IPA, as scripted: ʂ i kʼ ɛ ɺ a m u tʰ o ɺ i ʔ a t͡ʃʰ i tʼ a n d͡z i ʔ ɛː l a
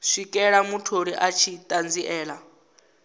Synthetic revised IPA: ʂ i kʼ ɛ ɺ a m u tʰ o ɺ i ʔ a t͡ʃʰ i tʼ a n d͡z i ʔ ɛː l a